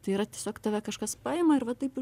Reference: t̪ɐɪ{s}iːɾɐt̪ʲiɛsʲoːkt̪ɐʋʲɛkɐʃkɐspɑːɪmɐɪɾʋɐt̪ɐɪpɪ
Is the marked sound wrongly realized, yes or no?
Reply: yes